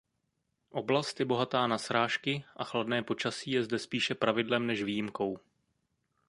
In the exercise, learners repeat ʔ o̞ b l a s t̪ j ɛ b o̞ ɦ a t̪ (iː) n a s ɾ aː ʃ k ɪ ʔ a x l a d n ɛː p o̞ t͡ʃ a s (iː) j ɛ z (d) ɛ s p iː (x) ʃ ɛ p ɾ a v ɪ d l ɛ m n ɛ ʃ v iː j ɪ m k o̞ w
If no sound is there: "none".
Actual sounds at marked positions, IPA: aː, iː, d, none

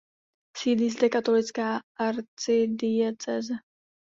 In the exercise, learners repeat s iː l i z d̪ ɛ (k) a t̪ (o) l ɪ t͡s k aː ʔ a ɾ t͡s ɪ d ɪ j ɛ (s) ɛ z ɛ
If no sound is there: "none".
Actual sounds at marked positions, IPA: k, o, t͡s

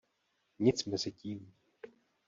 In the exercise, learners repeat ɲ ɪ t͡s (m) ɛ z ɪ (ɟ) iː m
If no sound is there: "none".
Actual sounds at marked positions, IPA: m, c

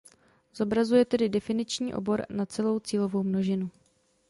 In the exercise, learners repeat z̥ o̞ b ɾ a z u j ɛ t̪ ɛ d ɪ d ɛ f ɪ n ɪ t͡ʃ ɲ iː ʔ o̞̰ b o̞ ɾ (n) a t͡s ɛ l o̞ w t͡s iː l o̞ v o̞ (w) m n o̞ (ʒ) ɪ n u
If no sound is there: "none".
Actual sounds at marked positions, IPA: n, w, ʒ

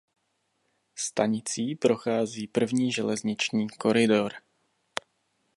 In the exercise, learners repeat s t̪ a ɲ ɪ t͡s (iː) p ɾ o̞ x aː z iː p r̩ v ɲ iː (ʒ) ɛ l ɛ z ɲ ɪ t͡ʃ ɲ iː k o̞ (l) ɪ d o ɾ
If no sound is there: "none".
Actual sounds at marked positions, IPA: iː, ʒ, ɾ

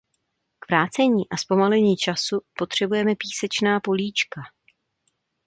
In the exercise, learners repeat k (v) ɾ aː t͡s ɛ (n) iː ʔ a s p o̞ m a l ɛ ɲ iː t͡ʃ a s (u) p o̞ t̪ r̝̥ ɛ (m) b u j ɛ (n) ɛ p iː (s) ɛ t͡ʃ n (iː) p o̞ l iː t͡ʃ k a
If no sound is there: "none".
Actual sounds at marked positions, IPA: v, ɲ, u, none, m, s, aː

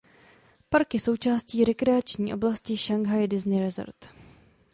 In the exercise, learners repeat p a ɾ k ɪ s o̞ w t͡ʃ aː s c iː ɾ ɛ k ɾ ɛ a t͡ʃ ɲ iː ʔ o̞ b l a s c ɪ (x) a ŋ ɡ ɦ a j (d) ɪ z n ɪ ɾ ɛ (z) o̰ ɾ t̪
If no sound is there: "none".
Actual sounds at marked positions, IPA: ʃ, d, z

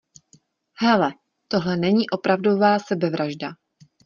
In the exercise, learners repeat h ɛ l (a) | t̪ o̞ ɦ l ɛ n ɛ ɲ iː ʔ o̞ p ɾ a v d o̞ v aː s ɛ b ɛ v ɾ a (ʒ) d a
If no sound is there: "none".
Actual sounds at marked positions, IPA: ɛ, ʒ

